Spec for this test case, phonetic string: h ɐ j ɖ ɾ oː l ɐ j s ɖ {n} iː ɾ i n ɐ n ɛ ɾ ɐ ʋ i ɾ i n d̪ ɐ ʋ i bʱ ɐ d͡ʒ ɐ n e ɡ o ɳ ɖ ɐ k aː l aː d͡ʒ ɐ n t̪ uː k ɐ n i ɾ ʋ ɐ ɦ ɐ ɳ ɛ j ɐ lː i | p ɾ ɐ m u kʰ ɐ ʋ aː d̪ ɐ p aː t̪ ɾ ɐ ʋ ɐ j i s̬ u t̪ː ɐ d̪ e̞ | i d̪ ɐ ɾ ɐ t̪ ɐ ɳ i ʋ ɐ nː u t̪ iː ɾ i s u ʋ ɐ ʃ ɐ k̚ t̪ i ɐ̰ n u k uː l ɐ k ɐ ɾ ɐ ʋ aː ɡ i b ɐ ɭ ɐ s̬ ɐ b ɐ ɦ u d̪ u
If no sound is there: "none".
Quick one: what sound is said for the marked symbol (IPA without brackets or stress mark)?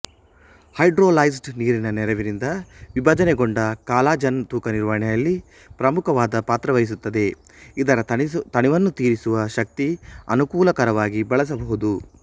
n